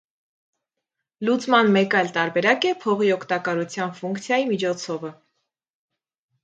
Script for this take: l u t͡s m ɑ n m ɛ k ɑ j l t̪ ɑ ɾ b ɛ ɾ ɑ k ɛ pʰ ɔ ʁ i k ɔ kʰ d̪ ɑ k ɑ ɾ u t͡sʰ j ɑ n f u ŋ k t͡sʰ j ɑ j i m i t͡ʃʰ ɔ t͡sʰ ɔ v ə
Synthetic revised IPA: l u t͡s m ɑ n m ɛ k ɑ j l t̪ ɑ ɾ b ɛ ɾ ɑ k ɛ pʰ ɔ ʁ i ɔ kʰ t̪ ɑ k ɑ ɾ u t͡sʰ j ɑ n f u ŋ k t͡sʰ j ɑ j i m i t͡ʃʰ ɔ t͡sʰ ɔ v ə